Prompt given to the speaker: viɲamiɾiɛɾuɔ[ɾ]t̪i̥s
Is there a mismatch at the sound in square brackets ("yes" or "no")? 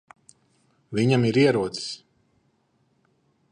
yes